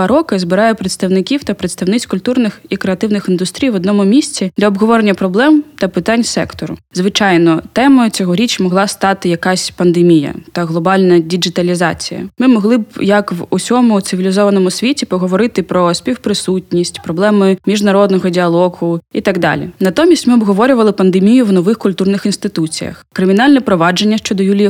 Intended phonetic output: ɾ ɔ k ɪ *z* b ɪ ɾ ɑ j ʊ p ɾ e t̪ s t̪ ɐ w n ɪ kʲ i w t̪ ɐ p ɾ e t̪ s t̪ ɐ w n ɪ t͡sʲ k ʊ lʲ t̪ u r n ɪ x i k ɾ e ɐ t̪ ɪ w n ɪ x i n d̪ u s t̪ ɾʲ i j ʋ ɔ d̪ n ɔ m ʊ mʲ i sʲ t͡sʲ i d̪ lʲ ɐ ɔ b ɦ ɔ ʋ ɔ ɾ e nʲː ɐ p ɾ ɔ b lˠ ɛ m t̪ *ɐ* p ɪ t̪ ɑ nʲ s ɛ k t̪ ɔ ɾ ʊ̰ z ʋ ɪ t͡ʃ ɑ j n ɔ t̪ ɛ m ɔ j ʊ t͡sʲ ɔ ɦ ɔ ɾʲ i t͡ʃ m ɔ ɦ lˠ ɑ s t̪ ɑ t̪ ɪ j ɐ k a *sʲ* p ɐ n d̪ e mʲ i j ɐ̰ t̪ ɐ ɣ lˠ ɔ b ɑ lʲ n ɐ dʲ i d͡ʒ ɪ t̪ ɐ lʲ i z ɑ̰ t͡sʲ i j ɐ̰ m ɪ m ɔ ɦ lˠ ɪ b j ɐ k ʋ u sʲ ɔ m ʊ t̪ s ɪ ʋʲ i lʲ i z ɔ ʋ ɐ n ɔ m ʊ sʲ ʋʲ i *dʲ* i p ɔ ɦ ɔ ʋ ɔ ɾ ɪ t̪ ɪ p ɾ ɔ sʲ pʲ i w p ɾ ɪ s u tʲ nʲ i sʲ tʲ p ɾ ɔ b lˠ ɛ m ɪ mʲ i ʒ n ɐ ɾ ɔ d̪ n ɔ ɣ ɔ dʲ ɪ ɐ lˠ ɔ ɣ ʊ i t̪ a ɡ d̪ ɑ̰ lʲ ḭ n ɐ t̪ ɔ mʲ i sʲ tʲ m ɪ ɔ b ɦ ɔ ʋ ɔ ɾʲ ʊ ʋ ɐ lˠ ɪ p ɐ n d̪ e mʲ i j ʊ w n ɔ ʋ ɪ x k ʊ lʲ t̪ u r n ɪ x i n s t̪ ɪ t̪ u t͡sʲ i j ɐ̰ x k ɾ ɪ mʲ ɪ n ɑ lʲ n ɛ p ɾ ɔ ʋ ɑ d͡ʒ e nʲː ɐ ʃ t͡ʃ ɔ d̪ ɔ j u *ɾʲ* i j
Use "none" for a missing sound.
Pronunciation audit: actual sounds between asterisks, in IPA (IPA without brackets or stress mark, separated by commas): z, ɐ, sʲ, tʲ, lʲ